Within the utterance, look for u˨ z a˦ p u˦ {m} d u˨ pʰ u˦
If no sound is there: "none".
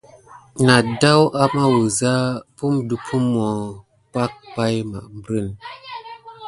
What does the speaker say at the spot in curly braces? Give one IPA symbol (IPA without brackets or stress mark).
m